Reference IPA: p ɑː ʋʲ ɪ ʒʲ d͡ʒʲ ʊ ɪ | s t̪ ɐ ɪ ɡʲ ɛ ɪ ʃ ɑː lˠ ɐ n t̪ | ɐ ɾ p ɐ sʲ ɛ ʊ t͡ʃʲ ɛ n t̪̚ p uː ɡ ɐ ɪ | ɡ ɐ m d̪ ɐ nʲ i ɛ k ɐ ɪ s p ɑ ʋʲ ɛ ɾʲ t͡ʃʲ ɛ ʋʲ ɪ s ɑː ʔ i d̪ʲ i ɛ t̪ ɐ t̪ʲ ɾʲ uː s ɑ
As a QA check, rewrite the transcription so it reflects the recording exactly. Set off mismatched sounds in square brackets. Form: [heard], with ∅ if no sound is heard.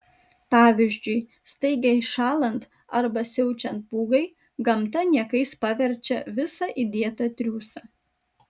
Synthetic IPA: p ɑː ʋʲ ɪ ʒʲ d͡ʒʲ ʊ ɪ | s t̪ ɐ ɪ ɡʲ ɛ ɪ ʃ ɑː lˠ ɐ n t̪ | ɐ ɾ [b] ɐ sʲ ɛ ʊ t͡ʃʲ ɛ n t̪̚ p uː ɡ ɐ ɪ | ɡ ɐ m [t̪] ɐ nʲ i ɛ k ɐ ɪ s p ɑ ʋʲ ɛ ɾʲ t͡ʃʲ ɛ ʋʲ ɪ s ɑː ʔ i d̪ʲ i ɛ t̪ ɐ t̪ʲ ɾʲ uː s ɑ